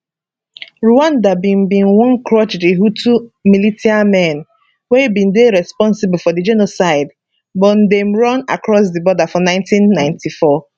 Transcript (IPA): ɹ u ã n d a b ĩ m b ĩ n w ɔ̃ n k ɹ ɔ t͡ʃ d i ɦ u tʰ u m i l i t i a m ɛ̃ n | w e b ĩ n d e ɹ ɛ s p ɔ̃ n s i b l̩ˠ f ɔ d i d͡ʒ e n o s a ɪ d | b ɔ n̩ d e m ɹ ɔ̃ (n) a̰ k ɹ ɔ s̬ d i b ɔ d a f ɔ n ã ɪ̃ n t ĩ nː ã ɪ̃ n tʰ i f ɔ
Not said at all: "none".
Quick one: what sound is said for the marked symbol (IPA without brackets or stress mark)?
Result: n